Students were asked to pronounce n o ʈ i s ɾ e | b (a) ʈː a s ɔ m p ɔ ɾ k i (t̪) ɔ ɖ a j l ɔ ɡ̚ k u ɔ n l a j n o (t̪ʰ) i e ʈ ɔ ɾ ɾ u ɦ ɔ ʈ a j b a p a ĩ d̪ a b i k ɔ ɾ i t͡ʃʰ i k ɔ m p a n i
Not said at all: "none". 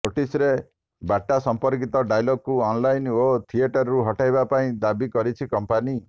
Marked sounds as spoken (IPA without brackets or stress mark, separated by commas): a, t̪, t̪ʰ